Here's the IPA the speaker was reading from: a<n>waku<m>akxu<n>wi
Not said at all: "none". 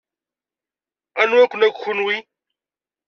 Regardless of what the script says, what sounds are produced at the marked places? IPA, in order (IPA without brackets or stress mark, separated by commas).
n, n, n